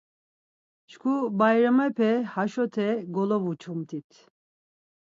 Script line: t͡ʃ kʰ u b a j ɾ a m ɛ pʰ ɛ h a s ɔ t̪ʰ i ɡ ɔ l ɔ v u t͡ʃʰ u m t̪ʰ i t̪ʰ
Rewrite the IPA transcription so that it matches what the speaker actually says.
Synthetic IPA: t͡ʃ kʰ u b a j ɾ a m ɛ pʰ ɛ h a ʃ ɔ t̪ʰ ɛ ɡ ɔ l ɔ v u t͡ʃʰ u m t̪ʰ i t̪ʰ